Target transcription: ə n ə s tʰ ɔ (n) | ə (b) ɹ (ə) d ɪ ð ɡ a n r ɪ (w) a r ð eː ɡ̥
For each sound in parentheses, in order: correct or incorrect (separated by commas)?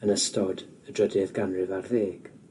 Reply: incorrect, incorrect, correct, incorrect